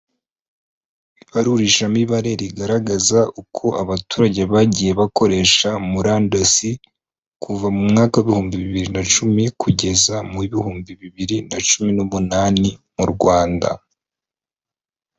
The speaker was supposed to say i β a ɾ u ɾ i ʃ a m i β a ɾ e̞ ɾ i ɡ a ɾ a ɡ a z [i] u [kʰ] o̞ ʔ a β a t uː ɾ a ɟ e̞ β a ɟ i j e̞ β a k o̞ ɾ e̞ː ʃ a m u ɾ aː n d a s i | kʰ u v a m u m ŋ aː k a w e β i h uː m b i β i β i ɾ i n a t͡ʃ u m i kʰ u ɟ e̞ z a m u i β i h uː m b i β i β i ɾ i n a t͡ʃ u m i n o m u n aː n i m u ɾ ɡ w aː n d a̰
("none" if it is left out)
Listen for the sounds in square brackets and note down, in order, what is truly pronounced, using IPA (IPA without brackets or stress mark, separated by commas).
a, kʰ